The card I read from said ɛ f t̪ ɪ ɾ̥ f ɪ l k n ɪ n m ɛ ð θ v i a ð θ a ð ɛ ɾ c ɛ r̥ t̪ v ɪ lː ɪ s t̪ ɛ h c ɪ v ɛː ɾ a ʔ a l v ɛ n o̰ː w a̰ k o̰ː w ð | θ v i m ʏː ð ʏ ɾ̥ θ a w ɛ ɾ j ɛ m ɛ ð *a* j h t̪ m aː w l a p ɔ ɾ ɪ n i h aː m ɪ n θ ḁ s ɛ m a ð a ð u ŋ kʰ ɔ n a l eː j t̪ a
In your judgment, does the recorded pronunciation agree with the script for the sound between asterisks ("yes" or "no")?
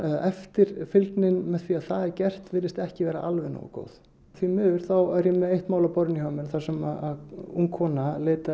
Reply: no